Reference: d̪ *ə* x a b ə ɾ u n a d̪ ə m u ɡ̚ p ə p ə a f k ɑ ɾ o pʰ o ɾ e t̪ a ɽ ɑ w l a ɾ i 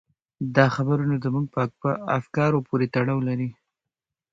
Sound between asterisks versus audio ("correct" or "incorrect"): incorrect